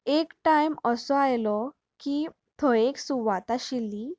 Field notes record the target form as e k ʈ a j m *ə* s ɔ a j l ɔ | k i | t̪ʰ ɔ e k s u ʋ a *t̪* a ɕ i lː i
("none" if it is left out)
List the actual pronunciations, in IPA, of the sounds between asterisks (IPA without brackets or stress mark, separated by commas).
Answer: ə, t̪